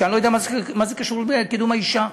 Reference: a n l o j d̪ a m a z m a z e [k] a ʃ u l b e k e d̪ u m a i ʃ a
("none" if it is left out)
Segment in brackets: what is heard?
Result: k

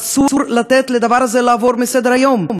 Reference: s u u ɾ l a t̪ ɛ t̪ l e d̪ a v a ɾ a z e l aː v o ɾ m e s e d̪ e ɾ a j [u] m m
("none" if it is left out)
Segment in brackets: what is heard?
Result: o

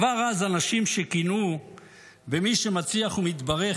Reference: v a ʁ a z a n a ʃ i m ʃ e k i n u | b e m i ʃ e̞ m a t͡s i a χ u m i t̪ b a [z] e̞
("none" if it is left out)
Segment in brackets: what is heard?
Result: ʁ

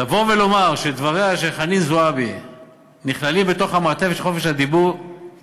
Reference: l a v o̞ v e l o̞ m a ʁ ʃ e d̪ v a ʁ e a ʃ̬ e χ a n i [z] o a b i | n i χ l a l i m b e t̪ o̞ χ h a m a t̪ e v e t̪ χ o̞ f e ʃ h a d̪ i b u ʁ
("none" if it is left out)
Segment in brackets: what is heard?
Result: z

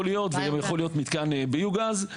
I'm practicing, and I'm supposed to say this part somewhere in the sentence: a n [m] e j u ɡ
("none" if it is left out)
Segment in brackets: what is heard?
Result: b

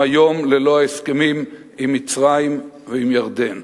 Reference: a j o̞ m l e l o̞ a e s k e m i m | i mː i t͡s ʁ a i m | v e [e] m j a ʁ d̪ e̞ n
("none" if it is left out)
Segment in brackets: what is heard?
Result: i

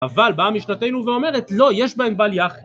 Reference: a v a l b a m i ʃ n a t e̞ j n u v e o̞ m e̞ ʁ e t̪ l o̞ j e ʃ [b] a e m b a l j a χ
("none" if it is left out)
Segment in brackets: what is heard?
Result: b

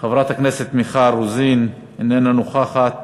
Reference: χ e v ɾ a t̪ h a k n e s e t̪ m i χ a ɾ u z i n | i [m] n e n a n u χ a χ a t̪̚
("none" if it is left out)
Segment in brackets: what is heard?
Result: none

